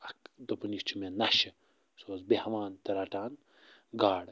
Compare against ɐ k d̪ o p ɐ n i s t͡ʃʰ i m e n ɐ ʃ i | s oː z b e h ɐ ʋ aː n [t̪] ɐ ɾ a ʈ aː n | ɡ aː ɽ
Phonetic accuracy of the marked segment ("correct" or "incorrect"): correct